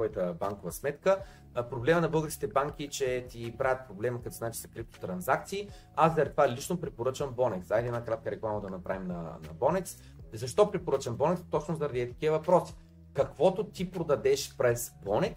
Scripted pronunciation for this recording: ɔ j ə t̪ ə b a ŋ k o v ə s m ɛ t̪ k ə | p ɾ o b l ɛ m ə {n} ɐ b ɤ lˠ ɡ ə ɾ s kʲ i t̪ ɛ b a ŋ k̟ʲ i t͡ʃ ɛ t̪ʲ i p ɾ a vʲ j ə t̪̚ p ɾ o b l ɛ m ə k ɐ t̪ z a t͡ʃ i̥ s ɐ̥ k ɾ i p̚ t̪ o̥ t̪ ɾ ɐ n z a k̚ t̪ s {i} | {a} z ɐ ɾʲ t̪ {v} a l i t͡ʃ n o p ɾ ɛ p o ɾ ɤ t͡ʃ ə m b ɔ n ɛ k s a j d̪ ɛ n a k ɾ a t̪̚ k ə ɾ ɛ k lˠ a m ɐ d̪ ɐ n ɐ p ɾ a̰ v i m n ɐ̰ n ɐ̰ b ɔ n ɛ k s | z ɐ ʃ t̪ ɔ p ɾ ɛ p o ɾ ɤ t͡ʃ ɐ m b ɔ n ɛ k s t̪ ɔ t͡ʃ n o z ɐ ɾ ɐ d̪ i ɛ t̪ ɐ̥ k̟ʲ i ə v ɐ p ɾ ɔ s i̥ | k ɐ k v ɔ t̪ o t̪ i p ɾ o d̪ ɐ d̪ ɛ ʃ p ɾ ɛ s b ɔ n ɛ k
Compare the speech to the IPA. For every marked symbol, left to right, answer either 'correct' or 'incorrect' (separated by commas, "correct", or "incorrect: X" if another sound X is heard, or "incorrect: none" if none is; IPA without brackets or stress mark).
correct, incorrect: iː, correct, correct